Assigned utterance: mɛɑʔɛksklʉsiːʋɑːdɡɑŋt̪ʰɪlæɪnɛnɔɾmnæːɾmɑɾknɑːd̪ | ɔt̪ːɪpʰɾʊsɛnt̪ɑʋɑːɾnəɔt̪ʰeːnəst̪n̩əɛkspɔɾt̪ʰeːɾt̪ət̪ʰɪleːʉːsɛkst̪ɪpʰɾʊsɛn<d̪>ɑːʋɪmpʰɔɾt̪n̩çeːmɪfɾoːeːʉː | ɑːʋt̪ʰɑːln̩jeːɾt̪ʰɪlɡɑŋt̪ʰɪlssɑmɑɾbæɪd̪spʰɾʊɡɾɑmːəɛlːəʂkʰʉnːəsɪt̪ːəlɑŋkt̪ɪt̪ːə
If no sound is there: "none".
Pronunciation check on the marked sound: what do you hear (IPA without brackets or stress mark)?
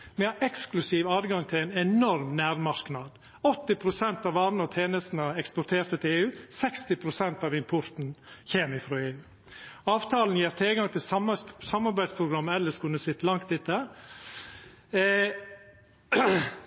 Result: t̪